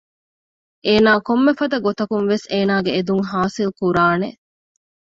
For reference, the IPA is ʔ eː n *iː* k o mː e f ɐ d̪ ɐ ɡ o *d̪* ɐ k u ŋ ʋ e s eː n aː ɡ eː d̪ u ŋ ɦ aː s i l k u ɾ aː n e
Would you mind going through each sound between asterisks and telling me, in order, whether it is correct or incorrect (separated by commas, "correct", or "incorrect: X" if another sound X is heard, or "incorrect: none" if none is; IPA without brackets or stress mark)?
incorrect: aː, incorrect: t̪